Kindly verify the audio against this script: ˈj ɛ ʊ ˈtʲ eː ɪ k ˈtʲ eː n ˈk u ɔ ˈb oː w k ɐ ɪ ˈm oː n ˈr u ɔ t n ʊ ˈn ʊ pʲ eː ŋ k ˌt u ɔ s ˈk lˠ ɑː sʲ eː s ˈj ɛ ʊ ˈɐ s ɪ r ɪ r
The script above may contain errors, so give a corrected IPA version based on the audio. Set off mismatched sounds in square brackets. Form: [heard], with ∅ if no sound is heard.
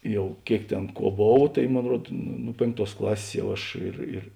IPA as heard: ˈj ɛ ʊ [ˈkʲ] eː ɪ k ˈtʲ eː n ˈk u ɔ ˈb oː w [t] ɐ ɪ ˈm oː n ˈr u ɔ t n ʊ ˈn ʊ pʲ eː ŋ k ˌt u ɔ s ˈk lˠ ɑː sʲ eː s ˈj ɛ ʊ ˈɐ [ʃ] ɪ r ɪ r